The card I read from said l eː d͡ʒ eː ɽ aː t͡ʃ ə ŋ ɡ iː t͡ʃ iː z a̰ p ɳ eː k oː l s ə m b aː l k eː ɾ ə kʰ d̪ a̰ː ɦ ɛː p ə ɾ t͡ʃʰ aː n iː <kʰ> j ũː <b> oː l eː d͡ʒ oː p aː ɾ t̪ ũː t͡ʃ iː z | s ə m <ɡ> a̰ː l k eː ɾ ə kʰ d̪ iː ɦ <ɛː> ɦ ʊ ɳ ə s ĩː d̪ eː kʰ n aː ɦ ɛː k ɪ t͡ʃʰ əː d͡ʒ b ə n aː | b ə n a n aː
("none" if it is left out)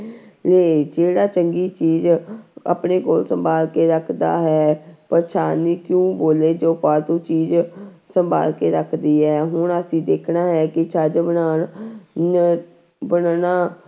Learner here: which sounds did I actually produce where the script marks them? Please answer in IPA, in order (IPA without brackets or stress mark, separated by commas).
k, b, b, ɛː